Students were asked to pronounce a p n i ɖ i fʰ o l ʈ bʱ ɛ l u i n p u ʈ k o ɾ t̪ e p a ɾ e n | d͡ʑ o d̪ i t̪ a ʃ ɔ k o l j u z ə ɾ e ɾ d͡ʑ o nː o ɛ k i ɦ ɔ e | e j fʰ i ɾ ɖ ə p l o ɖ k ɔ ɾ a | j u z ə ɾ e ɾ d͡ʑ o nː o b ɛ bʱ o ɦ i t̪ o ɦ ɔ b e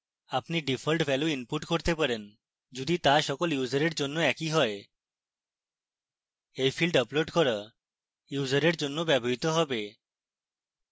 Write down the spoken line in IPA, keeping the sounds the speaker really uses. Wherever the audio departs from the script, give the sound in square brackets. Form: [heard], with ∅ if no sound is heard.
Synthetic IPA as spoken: a p n i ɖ i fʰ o l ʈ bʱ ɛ l u i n p u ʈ k o ɾ t̪ e p a ɾ e n | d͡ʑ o d̪ i t̪ a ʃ ɔ k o l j u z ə ɾ e ɾ d͡ʑ o nː o ɛ k i ɦ ɔ e | e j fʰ i [l] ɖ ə p l o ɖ k ɔ ɾ a | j u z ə ɾ e ɾ d͡ʑ o nː o b ɛ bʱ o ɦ i t̪ o ɦ ɔ b e